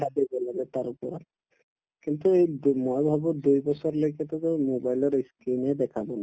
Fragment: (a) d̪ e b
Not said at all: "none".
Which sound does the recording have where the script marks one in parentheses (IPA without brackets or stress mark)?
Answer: a